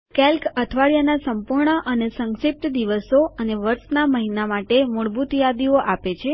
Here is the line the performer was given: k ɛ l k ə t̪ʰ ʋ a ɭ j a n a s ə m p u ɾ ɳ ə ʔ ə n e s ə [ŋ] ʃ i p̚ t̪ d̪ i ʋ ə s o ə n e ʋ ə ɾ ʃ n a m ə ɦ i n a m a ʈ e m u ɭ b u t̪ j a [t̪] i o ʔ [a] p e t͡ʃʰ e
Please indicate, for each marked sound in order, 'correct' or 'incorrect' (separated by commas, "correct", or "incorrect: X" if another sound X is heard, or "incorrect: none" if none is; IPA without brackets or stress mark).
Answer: correct, incorrect: d̪, correct